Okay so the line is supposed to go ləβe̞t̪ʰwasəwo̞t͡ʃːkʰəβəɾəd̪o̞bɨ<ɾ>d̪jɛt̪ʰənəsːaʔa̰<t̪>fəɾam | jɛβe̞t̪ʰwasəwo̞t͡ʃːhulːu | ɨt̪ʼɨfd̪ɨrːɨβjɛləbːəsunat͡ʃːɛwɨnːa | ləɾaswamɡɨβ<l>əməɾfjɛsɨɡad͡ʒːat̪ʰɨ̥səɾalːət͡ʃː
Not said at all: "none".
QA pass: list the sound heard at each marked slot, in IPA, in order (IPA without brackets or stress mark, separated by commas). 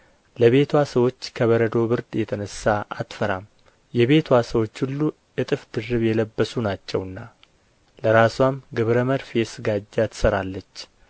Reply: ɾ, t̪, ɾ